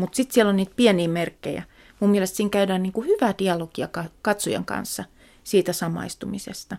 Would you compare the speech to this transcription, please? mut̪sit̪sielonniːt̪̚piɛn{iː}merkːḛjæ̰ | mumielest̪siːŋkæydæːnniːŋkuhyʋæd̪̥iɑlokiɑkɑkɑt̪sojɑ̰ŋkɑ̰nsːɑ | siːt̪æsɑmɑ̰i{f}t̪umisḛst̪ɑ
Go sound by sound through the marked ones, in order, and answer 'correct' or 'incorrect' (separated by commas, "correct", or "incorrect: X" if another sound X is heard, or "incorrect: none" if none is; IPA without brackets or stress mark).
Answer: correct, incorrect: s